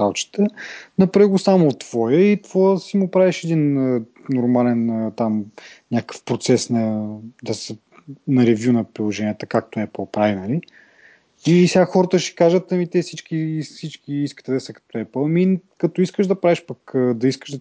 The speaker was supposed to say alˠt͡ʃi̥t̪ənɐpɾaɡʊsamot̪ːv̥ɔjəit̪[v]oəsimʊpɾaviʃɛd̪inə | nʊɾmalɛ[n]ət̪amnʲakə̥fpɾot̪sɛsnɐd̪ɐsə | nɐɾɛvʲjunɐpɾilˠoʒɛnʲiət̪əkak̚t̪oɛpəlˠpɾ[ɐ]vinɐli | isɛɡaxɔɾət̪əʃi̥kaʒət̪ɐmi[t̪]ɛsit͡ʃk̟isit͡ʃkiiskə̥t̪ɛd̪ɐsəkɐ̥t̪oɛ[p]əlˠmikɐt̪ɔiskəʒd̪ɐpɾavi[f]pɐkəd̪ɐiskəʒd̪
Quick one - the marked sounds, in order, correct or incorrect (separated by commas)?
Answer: correct, correct, incorrect, correct, correct, incorrect